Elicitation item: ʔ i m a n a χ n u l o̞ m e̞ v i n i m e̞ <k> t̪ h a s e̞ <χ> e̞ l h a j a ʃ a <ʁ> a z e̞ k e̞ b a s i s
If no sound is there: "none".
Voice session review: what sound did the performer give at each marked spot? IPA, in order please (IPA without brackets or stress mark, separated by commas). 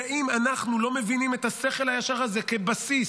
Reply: none, χ, ʁ